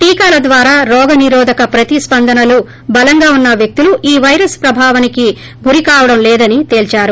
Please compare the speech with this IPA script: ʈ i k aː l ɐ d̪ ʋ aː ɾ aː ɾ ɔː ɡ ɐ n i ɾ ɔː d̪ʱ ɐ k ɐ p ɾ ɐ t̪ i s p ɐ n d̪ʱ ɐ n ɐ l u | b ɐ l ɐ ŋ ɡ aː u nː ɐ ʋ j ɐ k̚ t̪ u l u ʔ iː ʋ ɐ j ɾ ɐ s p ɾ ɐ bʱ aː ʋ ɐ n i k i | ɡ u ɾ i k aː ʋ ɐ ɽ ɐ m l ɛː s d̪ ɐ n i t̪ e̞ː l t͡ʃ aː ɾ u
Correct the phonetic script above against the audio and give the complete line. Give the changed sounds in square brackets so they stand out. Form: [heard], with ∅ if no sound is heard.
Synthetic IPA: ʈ [iː] k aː l ɐ d̪ ʋ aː ɾ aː ɾ ɔː ɡ ɐ n i ɾ ɔː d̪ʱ ɐ k ɐ p ɾ ɐ t̪ i s p ɐ n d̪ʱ ɐ n ɐ l u | b ɐ l ɐ ŋ ɡ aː u nː ɐ ʋ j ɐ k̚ t̪ u l u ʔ iː ʋ ɐ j ɾ ɐ s p ɾ ɐ bʱ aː ʋ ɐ n i k i | ɡ u ɾ i k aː ʋ ɐ ɽ ɐ m l ɛː [∅] d̪ ɐ n i t̪ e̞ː l t͡ʃ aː ɾ u